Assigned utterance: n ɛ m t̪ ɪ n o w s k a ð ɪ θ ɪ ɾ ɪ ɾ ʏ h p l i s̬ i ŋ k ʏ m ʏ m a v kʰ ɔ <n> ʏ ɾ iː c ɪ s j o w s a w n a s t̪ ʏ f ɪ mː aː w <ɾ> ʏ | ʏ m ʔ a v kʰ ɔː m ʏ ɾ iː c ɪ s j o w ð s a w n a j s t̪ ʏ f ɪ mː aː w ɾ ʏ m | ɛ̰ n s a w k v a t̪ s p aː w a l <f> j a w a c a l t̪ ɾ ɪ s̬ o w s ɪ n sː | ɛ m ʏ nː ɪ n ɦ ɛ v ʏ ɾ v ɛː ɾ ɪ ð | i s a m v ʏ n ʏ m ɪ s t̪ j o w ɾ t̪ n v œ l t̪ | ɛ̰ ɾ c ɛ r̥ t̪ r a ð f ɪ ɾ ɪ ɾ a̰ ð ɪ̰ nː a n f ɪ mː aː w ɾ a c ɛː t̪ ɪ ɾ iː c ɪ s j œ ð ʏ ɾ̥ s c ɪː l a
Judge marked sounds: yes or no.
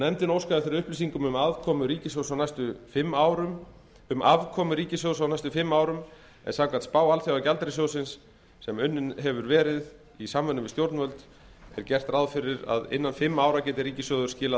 no, yes, no

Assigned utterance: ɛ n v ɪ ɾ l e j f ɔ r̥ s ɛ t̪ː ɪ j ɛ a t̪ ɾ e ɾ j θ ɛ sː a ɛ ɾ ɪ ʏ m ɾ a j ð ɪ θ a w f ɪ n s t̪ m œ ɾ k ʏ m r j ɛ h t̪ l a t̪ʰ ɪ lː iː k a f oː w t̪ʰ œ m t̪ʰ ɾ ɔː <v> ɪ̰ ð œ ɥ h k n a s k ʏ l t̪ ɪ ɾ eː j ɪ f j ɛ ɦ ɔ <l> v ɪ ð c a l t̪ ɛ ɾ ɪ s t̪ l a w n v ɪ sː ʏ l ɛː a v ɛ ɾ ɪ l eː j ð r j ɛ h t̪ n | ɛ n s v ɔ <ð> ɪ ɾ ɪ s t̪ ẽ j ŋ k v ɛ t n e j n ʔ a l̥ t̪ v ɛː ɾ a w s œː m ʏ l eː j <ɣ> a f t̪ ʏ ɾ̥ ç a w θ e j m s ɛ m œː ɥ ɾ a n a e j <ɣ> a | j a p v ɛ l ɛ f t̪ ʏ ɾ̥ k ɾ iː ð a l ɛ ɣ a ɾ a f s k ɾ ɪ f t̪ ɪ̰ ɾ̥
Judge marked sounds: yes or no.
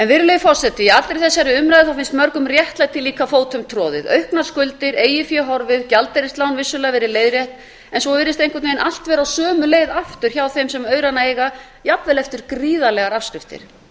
no, no, no, no, yes

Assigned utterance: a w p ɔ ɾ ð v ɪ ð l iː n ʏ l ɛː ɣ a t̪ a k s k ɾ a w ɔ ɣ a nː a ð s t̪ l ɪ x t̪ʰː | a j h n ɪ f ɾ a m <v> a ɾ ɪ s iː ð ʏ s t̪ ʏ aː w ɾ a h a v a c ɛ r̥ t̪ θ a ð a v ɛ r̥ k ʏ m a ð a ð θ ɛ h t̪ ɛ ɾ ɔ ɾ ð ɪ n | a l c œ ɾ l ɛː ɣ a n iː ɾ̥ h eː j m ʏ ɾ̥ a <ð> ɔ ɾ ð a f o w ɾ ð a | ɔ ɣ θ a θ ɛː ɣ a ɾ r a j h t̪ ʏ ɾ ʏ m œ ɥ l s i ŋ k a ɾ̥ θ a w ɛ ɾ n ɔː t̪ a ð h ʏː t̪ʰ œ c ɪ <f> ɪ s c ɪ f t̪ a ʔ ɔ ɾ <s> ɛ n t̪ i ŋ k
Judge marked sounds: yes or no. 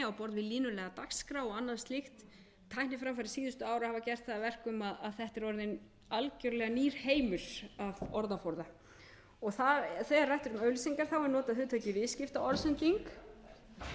no, no, no, yes

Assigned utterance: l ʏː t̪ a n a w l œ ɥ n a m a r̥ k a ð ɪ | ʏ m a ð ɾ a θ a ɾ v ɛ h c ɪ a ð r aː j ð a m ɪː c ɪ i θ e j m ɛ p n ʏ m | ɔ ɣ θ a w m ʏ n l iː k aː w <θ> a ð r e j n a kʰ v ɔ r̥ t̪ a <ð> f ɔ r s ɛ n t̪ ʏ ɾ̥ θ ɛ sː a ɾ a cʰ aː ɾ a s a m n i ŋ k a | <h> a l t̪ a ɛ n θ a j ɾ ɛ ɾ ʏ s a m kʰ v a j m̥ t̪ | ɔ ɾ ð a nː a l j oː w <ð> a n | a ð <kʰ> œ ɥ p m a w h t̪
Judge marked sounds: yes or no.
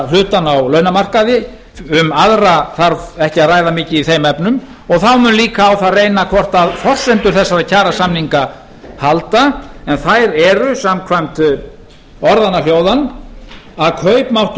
yes, yes, yes, yes, yes

